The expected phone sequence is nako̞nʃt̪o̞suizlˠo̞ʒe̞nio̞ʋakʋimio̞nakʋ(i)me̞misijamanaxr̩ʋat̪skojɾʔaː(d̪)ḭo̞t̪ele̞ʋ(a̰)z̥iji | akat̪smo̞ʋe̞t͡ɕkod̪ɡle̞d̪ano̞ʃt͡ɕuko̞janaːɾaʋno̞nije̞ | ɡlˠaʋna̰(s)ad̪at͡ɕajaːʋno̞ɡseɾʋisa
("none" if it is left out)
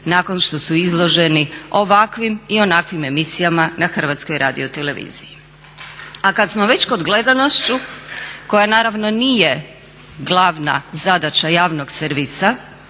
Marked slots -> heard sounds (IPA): i, d̪, ḭ, z

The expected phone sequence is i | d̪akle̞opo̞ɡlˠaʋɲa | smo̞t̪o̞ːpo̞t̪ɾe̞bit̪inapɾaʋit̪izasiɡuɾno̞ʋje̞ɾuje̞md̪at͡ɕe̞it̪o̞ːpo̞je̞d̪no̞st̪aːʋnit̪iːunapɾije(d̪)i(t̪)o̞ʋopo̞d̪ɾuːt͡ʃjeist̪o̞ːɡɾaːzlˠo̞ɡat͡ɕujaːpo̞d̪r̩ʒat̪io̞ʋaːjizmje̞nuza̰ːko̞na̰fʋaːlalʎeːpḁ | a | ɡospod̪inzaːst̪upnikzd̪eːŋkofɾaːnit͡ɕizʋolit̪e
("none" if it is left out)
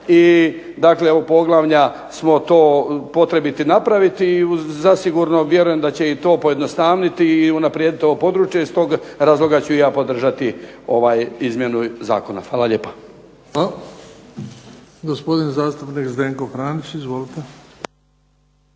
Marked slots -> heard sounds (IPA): d̪, t̪

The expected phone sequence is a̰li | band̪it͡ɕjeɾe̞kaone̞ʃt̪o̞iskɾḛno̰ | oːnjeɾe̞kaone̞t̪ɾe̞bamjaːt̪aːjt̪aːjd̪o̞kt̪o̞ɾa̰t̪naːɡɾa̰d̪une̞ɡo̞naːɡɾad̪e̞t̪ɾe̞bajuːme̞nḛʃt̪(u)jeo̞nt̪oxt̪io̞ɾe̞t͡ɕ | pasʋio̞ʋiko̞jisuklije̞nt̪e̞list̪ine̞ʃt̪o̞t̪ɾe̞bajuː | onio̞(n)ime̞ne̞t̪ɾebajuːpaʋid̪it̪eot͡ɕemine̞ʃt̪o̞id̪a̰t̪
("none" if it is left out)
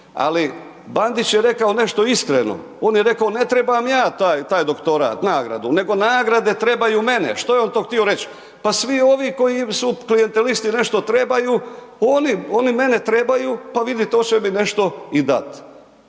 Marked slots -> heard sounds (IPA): o, n

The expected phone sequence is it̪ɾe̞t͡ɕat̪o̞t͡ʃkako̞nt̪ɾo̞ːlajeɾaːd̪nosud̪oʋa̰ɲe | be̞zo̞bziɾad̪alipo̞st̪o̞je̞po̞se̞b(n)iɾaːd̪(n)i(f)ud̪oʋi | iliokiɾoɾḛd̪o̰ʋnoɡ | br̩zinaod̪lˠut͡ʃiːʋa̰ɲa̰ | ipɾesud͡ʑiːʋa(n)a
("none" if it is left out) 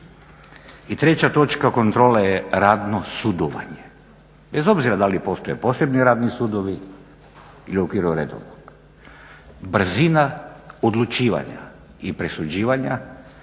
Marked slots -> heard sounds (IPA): n, n, s, ɲ

